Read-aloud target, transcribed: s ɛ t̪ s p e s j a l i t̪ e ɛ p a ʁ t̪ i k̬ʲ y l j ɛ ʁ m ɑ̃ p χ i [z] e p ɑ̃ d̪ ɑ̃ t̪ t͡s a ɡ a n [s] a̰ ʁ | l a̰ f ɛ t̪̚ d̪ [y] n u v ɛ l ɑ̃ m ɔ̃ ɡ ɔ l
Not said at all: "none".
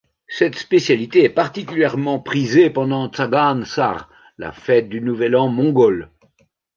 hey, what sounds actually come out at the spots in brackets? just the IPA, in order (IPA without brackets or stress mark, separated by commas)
z, s, y